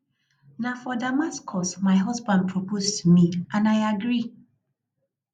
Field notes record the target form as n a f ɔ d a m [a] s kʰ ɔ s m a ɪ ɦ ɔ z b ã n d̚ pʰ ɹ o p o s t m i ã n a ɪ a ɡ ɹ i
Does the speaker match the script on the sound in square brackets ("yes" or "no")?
yes